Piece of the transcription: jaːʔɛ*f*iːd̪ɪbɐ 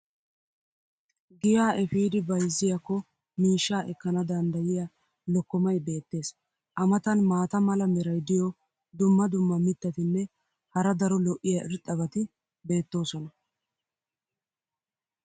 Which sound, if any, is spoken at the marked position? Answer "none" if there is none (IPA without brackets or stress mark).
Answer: f